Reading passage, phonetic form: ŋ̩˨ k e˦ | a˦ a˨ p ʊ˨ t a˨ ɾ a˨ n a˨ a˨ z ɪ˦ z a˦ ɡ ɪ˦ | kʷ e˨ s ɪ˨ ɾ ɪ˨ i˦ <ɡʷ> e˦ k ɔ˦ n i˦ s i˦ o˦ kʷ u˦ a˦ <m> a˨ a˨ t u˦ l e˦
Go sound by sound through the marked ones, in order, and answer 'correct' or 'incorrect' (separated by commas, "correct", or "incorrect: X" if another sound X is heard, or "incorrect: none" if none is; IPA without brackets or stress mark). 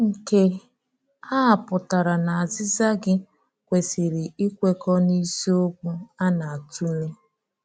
incorrect: kʷ, incorrect: n